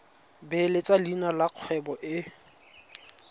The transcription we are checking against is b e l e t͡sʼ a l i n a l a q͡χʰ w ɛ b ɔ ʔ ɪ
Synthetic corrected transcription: b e l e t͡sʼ a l i n a l a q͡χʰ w ɛ b ɔ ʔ ɪ

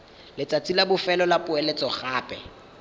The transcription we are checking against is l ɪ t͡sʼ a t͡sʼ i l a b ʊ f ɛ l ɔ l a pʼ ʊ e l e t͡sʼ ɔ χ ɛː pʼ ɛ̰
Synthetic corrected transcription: l ɪ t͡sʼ a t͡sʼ i l a b ʊ f ɛ l ɔ l a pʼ ʊ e l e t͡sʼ ɔ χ aː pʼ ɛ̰

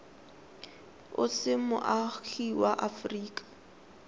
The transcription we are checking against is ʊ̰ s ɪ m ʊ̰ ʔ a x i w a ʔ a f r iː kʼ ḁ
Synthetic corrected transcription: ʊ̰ s ɪ m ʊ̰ ʔ a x i w a ʔ a f r iː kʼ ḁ

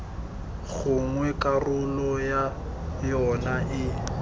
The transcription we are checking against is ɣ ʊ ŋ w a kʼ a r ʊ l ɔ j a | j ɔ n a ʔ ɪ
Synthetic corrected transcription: ɣ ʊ ŋ w ɛ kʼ a r ʊ l ɔ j a | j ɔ n a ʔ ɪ

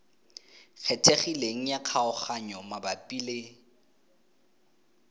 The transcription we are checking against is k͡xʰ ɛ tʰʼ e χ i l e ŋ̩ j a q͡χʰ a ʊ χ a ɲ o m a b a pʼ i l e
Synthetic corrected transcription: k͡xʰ ɛ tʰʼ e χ i l e ŋ̩ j a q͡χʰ a ʊ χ a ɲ ɔ m a b a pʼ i l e

